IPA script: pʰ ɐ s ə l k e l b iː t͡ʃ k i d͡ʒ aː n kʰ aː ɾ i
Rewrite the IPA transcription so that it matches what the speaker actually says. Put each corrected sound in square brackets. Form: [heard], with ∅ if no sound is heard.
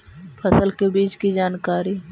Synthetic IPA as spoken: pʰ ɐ s ə l k e [∅] b iː t͡ʃ k i d͡ʒ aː n [k] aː ɾ i